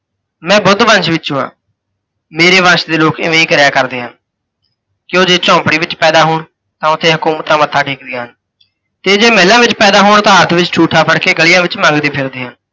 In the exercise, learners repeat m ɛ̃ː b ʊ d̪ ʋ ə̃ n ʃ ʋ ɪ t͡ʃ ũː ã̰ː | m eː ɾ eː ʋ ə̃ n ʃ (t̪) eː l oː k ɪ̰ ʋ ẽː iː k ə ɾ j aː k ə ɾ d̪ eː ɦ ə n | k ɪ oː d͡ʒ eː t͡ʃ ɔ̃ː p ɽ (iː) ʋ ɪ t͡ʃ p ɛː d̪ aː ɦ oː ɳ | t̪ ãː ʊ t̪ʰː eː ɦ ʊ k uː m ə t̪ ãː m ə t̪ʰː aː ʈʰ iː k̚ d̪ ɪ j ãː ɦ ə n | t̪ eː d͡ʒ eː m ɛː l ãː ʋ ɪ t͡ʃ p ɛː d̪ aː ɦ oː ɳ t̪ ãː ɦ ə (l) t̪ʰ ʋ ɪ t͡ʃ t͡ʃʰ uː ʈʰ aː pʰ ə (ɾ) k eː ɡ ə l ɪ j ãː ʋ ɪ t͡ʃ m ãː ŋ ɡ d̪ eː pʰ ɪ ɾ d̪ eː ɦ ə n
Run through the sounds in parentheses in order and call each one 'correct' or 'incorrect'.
incorrect: d̪, correct, incorrect: ɾ, incorrect: ɽ

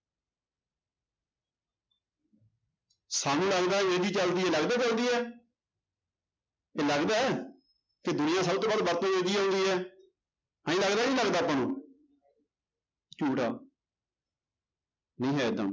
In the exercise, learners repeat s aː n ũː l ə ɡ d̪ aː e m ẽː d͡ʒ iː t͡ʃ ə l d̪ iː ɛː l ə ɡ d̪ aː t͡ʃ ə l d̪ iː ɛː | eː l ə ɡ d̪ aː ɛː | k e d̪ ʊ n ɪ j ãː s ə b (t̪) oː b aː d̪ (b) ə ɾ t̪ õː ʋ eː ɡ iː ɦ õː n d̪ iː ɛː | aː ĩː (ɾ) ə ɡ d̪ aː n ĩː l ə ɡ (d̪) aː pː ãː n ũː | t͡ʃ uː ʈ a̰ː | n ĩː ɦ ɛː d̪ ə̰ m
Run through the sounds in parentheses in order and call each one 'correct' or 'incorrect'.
correct, correct, incorrect: l, correct

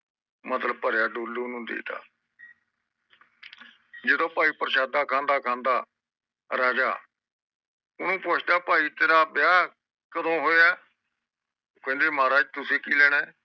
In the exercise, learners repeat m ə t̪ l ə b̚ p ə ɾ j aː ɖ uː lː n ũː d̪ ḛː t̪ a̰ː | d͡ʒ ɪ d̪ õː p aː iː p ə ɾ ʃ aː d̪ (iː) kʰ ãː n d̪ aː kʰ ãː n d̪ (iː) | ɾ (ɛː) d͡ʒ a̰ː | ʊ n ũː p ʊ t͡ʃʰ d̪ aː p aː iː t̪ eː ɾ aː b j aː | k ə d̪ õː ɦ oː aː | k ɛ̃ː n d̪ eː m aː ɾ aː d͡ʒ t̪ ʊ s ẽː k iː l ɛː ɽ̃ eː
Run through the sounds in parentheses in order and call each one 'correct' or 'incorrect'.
incorrect: aː, incorrect: aː, incorrect: aː

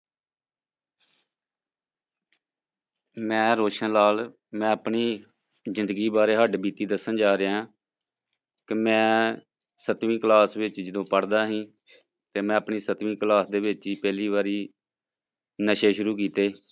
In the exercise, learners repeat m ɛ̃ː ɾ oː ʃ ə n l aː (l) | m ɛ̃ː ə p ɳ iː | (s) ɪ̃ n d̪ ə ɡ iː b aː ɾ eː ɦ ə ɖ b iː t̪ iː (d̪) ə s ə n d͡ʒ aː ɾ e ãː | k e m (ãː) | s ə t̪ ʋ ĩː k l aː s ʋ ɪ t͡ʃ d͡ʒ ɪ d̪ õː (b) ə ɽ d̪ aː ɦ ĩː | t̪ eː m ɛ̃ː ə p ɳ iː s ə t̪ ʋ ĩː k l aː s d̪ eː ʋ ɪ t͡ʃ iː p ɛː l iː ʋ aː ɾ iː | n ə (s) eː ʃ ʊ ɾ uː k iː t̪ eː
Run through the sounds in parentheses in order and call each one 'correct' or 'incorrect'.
correct, incorrect: z, correct, incorrect: ɛ̃ː, incorrect: p, incorrect: ʃ

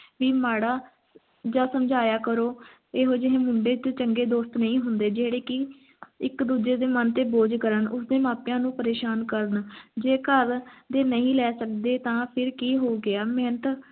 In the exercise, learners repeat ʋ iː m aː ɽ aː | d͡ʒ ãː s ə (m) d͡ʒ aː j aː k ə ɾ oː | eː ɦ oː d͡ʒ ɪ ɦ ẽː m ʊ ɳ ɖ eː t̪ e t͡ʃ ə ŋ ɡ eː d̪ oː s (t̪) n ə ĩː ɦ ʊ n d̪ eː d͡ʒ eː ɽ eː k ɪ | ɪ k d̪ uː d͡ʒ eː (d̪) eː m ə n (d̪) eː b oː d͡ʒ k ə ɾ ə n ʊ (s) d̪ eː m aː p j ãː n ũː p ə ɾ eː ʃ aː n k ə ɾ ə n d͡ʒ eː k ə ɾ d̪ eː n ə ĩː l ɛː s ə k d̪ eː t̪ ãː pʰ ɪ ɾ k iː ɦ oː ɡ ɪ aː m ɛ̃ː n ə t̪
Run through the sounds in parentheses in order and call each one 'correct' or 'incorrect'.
correct, correct, correct, incorrect: t̪, correct

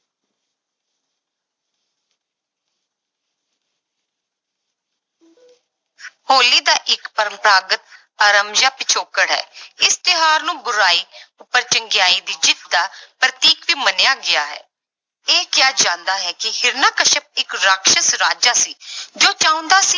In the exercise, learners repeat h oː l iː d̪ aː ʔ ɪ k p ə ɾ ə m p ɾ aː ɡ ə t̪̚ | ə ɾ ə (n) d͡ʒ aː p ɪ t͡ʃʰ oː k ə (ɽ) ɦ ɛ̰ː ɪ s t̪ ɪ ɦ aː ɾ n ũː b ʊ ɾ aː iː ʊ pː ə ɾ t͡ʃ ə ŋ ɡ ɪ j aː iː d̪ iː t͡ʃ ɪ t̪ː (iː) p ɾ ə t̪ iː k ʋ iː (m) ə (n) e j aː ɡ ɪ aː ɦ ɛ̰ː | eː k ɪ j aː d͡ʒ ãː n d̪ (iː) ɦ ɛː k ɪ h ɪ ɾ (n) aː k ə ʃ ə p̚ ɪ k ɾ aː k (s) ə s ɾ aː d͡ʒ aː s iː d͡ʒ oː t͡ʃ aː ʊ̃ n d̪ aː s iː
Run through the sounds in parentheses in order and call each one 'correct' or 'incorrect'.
incorrect: m, correct, incorrect: aː, correct, correct, incorrect: aː, correct, incorrect: ʃ

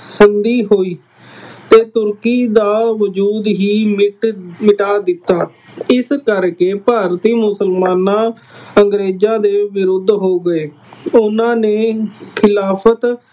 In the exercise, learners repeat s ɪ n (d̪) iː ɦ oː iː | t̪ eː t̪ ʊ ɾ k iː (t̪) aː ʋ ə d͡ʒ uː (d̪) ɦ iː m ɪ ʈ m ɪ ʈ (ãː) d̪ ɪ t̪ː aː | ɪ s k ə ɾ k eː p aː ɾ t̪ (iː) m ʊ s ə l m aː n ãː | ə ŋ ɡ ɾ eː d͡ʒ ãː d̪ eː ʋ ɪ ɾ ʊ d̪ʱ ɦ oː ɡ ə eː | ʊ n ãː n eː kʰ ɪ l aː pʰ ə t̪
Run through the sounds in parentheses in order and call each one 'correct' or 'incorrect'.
correct, incorrect: d̪, correct, incorrect: aː, correct

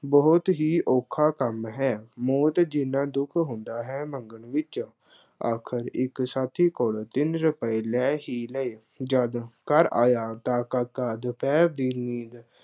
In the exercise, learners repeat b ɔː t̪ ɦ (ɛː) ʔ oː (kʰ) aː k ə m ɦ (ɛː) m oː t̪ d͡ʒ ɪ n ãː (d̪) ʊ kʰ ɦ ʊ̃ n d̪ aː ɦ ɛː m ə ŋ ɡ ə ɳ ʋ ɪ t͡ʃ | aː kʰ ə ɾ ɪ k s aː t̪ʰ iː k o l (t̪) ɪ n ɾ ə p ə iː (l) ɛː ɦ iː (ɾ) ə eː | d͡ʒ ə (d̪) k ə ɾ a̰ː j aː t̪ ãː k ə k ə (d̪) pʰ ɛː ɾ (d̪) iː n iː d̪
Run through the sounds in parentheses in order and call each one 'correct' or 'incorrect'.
incorrect: iː, correct, correct, correct, correct, correct, incorrect: l, correct, correct, correct

